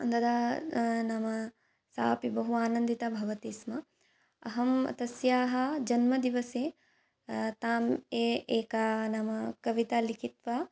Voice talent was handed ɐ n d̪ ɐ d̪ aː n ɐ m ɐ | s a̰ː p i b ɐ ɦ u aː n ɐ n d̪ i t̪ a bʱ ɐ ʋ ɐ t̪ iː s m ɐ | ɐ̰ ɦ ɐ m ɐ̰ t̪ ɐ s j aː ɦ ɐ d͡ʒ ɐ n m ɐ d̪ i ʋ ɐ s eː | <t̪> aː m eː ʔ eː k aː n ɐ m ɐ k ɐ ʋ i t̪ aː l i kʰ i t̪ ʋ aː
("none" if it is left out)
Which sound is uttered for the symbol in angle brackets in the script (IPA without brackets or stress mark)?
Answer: t̪